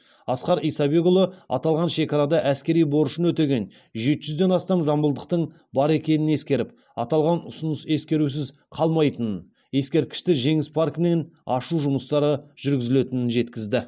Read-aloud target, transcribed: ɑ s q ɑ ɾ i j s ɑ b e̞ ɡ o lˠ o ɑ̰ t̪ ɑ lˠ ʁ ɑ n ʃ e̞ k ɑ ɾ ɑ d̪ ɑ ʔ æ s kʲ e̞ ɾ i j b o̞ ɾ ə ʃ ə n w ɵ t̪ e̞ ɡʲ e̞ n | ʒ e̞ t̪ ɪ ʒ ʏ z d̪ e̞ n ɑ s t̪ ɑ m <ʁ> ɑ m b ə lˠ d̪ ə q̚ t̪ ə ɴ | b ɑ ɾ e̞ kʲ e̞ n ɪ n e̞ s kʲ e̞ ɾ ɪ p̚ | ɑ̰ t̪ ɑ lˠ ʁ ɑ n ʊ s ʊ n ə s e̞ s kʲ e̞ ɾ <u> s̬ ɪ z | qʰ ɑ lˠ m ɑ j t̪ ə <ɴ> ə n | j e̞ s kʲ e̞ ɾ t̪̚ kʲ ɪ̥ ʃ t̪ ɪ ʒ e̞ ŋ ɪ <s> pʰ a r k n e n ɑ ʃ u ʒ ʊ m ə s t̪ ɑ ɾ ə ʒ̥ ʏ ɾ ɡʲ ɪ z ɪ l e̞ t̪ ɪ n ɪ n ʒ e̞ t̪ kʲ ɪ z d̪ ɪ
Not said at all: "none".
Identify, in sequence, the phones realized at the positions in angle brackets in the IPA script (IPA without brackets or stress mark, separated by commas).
ʒ, u, n, s